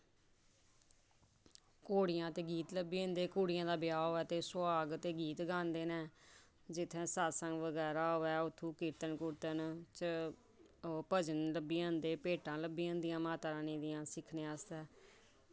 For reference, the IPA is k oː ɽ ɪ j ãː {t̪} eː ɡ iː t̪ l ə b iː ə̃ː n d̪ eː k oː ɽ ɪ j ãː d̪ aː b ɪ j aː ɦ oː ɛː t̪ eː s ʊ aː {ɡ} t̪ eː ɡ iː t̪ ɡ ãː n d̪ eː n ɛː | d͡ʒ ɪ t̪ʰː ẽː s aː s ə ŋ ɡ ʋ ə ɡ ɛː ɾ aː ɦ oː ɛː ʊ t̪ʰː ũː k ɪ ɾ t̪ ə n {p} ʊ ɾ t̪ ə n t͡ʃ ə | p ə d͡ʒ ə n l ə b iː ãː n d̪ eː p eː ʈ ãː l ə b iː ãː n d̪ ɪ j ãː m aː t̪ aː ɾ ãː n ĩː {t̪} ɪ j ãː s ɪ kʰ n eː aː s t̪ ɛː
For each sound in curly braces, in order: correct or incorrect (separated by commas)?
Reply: correct, correct, incorrect, incorrect